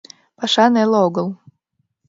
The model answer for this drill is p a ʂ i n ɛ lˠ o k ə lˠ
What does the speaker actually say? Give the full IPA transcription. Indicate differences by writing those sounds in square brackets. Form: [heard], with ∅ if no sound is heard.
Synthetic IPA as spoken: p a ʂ [a] n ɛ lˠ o [ɡ] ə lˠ